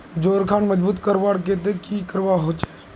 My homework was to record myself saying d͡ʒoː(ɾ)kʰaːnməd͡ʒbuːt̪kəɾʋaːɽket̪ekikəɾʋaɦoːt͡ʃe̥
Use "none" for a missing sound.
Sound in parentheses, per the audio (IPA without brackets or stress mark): ɾ